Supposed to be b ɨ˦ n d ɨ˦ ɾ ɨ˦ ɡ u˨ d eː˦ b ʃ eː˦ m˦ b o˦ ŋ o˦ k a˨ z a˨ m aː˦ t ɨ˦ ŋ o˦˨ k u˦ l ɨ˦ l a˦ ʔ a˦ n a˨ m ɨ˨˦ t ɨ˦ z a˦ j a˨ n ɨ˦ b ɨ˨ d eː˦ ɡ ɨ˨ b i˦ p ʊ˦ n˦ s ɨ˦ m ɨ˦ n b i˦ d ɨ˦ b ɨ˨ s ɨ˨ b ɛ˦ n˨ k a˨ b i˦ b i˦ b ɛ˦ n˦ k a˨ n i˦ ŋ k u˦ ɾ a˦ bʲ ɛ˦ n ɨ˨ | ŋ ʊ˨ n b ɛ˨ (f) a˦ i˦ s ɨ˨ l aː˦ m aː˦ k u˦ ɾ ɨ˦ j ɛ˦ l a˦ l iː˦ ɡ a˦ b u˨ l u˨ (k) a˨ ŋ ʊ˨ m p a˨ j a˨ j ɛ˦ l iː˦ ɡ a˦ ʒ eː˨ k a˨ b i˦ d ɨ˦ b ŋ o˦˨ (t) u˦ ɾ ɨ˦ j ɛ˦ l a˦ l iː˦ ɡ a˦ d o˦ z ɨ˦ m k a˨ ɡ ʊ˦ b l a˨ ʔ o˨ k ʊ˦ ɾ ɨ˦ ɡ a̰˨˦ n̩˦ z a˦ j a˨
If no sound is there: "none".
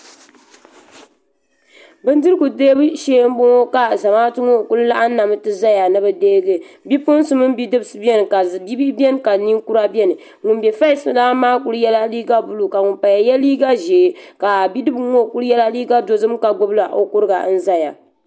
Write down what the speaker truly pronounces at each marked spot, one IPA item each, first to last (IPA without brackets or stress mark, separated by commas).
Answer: f, k, k